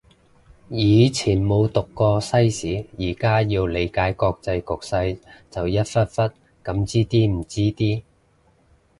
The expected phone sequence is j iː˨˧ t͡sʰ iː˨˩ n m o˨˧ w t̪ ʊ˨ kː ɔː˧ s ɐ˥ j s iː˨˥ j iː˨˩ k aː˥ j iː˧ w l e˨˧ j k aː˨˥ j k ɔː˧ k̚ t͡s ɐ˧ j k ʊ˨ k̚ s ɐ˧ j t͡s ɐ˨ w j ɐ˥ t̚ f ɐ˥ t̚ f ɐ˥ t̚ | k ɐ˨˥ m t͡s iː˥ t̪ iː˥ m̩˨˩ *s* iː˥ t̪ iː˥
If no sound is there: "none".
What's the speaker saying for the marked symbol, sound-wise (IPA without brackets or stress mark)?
t͡s